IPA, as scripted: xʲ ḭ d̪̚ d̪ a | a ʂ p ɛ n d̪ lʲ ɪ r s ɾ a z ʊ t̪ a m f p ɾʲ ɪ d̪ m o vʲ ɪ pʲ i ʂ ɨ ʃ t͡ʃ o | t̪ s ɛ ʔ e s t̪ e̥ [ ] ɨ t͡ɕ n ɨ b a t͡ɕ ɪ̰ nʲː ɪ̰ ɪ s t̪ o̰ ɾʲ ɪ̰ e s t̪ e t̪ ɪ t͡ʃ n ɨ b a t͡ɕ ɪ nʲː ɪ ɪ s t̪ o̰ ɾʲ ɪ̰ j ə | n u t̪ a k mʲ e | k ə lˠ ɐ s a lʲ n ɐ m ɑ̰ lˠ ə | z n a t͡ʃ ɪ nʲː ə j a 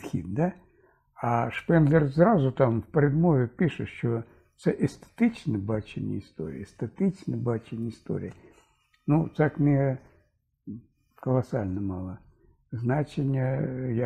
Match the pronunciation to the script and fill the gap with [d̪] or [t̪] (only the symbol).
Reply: t̪